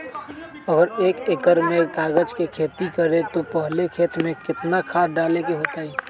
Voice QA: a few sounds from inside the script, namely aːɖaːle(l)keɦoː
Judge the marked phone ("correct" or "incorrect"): incorrect